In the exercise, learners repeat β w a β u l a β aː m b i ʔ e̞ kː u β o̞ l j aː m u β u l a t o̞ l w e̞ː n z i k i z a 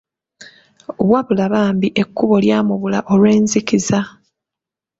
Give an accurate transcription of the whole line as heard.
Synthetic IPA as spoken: β w a β u l a β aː m b i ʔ e̞ kː u β o̞ l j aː m u β u l a ʔ o̞ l w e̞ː n z i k i z a